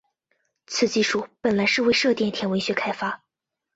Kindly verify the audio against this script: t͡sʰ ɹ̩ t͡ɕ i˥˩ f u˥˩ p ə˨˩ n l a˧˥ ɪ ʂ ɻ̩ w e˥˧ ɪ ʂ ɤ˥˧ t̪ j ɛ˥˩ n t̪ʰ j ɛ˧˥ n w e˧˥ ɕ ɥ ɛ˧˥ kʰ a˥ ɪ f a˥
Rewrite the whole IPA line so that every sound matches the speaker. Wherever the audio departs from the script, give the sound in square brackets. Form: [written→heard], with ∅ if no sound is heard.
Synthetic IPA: t͡sʰ ɹ̩ t͡ɕ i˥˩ [f→ʂ] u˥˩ p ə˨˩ n l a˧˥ ɪ ʂ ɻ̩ w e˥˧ ɪ ʂ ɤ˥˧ t̪ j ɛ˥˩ n t̪ʰ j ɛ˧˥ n w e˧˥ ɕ ɥ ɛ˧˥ kʰ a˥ ɪ f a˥